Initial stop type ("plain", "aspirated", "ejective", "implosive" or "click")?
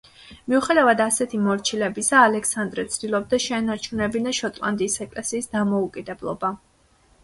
plain